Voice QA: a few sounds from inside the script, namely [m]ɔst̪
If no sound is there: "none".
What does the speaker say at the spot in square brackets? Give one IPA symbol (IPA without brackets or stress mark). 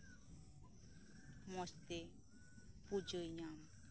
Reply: m